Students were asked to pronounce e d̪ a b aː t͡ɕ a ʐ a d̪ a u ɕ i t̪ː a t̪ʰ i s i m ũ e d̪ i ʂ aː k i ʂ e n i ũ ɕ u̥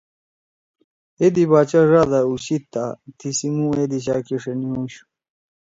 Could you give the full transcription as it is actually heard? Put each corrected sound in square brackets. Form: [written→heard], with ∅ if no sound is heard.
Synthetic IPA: e d̪ [a→i] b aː t͡ɕ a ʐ a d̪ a u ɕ i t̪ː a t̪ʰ i s i m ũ e d̪ i [ʂ→ɕ] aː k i ʂ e n i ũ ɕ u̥